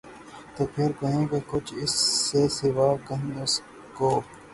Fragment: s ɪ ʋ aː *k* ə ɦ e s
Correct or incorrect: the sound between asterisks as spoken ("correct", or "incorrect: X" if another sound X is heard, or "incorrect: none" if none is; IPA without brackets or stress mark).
correct